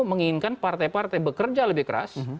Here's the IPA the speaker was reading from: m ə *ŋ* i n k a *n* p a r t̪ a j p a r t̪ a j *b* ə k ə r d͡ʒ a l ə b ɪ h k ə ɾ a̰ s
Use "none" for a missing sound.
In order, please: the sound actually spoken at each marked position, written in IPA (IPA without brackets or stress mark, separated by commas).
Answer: ŋ, n, b